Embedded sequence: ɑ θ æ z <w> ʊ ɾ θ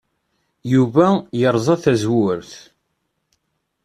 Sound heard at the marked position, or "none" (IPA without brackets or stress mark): w